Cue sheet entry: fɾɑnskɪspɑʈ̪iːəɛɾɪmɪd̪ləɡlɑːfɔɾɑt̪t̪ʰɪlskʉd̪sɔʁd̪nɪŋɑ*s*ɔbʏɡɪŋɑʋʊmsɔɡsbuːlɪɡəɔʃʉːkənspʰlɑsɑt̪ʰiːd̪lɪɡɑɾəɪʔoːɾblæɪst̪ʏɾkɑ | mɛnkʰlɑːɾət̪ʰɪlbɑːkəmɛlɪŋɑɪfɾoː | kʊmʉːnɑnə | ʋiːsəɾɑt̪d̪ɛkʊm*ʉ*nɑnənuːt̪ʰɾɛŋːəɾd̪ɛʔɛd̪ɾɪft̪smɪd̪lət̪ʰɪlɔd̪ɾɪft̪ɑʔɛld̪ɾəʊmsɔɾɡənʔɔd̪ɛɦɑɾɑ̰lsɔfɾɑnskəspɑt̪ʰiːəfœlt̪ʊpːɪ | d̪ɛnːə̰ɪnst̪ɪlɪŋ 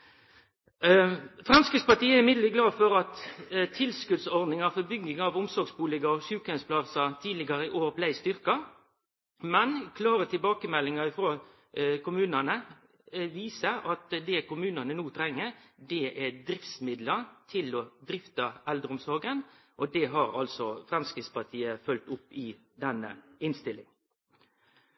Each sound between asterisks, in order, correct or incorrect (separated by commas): incorrect, incorrect